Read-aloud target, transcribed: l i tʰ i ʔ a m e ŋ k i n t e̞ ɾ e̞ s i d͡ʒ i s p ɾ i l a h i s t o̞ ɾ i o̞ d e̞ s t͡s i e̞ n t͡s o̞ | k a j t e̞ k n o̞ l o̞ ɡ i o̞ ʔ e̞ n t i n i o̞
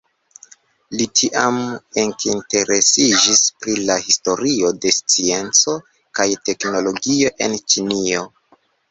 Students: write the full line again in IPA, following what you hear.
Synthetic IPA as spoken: l i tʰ i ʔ a m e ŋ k i n t e̞ ɾ e̞ s i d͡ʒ i s p ɾ i l a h i s t o̞ ɾ i o̞ d e̞ s t͡s i e̞ n t͡s o̞ | k a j t e̞ k n o̞ l o̞ ɡ i o̞ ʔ e̞ n t͡ʃ i n i o̞